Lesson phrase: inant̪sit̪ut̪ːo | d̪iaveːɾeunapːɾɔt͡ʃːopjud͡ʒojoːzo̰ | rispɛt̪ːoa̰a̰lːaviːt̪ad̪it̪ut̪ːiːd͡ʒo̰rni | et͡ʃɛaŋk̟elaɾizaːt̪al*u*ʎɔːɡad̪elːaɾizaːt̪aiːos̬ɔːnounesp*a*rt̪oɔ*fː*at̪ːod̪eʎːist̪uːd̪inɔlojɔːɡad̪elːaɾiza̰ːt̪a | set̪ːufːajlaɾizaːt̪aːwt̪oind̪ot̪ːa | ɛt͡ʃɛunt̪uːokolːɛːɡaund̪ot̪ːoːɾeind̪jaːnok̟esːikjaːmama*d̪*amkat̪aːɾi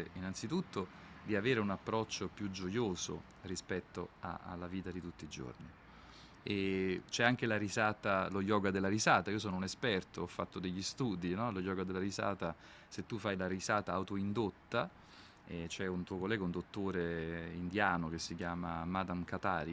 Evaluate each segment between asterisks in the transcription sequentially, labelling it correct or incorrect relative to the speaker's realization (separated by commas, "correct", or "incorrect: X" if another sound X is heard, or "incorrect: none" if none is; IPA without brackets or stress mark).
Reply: incorrect: o, incorrect: ɛ, correct, correct